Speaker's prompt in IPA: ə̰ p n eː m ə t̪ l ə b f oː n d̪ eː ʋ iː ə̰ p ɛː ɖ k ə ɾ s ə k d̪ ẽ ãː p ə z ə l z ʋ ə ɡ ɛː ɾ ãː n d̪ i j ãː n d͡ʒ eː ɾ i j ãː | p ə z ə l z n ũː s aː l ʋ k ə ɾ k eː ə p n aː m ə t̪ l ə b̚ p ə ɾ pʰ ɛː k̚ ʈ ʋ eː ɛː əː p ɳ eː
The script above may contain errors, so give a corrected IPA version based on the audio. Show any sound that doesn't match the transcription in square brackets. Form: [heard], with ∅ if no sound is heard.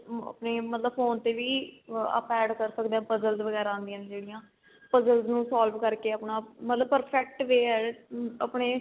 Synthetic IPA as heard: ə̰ p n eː m ə t̪ l ə b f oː n [t̪] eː ʋ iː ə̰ p ɛː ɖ k ə ɾ s ə k d̪ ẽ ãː p ə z ə l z ʋ ə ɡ ɛː ɾ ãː n d̪ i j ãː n d͡ʒ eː [ɽ] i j ãː | p ə z ə l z n ũː s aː l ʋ k ə ɾ k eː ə p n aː m ə t̪ l ə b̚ p ə ɾ pʰ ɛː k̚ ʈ ʋ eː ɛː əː p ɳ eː